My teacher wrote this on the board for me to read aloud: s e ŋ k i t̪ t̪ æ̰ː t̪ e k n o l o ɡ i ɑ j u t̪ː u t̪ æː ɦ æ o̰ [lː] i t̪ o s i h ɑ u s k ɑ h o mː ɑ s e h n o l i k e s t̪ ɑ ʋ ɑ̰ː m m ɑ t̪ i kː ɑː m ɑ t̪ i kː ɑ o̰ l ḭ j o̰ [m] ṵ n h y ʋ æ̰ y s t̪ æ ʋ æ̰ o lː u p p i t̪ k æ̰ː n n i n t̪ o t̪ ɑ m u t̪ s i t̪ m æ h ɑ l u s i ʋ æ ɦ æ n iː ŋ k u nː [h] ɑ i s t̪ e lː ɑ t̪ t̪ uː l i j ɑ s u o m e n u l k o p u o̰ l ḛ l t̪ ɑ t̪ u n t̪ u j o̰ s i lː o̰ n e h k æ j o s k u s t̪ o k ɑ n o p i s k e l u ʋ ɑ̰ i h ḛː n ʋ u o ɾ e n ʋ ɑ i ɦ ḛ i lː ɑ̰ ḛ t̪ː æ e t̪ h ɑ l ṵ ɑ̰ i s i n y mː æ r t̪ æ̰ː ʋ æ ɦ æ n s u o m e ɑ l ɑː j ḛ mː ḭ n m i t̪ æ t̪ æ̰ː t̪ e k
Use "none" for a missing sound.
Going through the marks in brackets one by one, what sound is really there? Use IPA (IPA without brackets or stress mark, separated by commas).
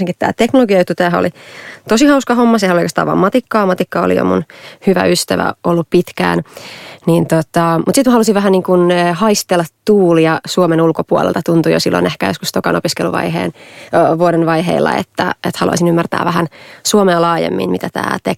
l, m, h